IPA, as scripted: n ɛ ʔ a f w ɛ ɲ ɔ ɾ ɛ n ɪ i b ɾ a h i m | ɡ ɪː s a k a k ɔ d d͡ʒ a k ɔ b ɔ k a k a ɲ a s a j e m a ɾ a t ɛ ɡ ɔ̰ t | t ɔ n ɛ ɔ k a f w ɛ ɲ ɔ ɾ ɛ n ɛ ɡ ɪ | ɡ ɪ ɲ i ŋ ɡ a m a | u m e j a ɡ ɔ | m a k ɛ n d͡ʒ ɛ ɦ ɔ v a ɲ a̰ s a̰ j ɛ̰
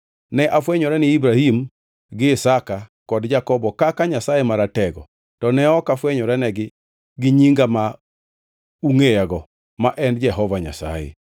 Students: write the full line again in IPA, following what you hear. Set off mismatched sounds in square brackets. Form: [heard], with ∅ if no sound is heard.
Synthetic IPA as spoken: n ɛ ʔ a f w ɛ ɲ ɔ ɾ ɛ n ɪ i b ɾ a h i m | ɡ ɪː s a k a k ɔ d d͡ʒ a k ɔ b ɔ k a k a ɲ a s a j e m a ɾ a t ɛ ɡ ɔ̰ [∅] | t ɔ n ɛ ɔ k a f w ɛ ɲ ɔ ɾ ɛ n ɛ ɡ ɪ | ɡ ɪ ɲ i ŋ ɡ a m a | u [ŋ] e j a ɡ ɔ | m a [ʔ] ɛ n d͡ʒ ɛ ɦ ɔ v a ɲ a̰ s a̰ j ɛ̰